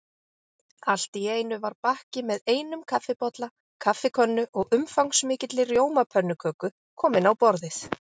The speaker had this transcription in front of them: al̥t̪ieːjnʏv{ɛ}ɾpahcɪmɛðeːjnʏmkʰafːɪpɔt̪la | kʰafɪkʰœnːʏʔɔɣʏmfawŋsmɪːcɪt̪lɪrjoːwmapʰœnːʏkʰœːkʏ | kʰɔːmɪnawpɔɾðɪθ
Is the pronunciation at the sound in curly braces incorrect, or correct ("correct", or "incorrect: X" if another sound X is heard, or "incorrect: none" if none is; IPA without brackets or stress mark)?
incorrect: a